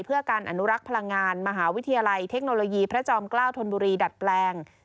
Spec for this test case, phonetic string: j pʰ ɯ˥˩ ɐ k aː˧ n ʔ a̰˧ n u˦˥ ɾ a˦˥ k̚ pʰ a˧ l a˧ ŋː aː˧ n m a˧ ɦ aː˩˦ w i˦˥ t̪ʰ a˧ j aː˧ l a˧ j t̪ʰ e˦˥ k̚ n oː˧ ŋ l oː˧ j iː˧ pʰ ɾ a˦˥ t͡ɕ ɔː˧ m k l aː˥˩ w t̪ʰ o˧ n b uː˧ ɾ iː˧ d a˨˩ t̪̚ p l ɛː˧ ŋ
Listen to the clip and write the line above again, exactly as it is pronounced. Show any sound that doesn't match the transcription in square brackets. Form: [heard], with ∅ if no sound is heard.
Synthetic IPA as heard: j pʰ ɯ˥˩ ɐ k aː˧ n ʔ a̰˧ n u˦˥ ɾ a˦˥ k̚ pʰ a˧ l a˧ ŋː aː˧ n m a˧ ɦ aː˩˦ w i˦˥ t̪ʰ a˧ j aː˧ l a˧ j t̪ʰ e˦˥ k̚ n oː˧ [∅] l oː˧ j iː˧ pʰ ɾ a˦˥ t͡ɕ ɔː˧ m k l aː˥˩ w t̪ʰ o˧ n b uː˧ ɾ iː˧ d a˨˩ t̪̚ p l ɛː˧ ŋ